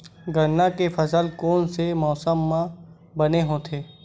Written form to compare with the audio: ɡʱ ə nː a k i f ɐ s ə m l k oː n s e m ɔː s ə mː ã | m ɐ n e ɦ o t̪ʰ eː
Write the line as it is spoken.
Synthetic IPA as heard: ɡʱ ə nː a k e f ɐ s ə l k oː n s e m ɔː s ə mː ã | b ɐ n e ɦ o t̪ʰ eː